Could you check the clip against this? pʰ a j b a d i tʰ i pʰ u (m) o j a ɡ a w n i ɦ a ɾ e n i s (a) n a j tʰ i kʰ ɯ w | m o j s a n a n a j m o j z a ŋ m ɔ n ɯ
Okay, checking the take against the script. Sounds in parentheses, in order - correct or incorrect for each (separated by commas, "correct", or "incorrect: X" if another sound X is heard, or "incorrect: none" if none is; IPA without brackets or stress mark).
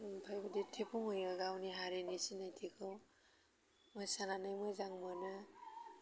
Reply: incorrect: ŋ, incorrect: i